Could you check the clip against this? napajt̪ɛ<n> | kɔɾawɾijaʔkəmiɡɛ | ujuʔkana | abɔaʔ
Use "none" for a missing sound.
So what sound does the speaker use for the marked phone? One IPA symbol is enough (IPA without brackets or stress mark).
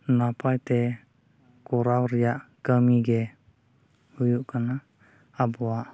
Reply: none